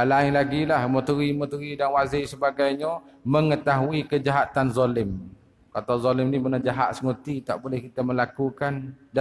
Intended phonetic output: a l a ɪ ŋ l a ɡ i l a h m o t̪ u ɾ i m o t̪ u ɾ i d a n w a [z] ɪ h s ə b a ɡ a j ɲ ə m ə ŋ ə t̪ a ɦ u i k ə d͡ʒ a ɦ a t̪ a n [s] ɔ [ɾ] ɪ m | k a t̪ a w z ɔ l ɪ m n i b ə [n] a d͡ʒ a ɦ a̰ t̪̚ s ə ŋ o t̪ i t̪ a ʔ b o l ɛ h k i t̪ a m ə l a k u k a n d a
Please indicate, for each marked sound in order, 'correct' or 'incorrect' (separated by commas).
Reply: correct, incorrect, incorrect, correct